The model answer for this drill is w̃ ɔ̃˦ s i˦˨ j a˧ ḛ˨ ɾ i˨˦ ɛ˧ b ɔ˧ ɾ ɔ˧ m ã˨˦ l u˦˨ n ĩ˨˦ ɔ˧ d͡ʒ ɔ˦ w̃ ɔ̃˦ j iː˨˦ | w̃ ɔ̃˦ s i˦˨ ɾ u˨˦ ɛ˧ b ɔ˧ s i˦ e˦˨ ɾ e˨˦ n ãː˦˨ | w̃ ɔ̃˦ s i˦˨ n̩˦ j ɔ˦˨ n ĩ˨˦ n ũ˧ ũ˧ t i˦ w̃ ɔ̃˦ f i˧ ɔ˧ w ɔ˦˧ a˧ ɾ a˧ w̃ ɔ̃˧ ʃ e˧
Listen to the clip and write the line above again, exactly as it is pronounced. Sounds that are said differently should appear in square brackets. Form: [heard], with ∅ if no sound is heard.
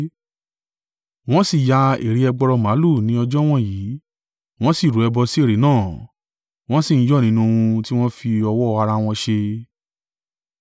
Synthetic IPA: w̃ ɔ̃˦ s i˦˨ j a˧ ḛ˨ ɾ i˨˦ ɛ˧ [ɡ͡b] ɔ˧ ɾ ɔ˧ m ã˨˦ l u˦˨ n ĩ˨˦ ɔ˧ d͡ʒ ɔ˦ w̃ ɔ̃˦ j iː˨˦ | w̃ ɔ̃˦ s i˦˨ ɾ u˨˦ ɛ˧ b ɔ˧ s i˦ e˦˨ ɾ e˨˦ n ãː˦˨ | w̃ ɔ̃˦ s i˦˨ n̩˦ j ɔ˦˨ n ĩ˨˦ n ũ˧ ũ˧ t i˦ w̃ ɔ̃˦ f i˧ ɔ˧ w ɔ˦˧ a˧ ɾ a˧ w̃ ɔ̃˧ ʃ e˧